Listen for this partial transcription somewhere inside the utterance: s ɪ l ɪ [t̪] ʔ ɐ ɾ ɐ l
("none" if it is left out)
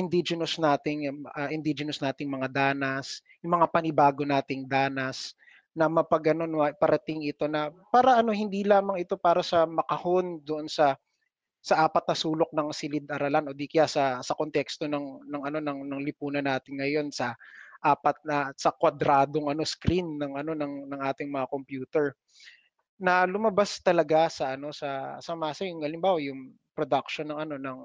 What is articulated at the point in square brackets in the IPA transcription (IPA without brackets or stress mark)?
d̪